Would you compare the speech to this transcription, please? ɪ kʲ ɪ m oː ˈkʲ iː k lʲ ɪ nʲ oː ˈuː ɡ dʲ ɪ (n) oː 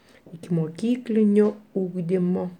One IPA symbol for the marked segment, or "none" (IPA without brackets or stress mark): m